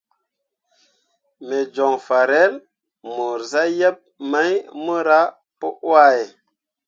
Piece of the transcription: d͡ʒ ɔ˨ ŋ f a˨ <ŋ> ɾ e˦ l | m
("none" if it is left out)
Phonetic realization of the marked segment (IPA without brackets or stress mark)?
none